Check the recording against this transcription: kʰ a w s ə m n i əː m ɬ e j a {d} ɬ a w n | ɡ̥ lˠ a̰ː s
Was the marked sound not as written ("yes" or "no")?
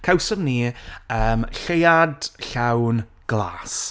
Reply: no